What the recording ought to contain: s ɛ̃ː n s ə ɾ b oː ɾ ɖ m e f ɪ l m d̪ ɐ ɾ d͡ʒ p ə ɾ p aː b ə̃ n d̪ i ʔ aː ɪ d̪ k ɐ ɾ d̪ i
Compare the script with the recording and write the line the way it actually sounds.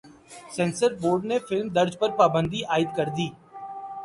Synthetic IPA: s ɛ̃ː n s ə ɾ b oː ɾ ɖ n e f ɪ l m d̪ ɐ ɾ d͡ʒ p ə ɾ p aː b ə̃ n d̪ i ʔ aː ɪ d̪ k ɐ ɾ d̪ iː